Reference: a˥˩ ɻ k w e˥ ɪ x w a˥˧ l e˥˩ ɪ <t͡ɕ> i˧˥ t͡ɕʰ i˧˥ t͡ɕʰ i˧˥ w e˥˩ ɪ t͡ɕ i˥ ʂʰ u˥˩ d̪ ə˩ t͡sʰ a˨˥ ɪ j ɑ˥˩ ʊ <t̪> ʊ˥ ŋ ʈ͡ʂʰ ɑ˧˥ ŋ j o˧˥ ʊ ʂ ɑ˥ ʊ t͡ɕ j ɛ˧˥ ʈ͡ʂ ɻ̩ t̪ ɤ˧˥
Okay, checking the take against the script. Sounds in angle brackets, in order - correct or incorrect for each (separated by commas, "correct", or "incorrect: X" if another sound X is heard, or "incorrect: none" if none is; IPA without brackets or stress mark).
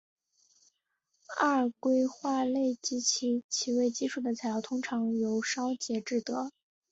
correct, incorrect: t̪ʰ